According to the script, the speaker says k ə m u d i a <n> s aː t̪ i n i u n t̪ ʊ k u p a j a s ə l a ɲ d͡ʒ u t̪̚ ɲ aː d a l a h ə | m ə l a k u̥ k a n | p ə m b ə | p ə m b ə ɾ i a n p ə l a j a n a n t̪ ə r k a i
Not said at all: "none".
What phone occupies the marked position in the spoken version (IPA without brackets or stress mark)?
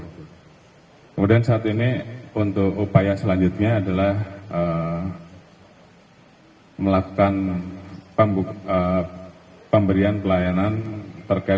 n